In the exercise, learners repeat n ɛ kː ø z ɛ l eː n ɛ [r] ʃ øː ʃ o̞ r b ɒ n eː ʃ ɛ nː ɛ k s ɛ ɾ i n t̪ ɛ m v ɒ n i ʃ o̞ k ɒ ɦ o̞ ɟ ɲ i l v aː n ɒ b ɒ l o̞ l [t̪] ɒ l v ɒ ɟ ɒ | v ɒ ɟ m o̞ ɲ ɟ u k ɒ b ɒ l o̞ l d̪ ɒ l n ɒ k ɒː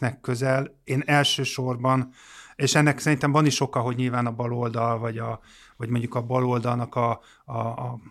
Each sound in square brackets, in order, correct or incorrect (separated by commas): incorrect, incorrect